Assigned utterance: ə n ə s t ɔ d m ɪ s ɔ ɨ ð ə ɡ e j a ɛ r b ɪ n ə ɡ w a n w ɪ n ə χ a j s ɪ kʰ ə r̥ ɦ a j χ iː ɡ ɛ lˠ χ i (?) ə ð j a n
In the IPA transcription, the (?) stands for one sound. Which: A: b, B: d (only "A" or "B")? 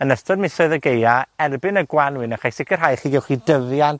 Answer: B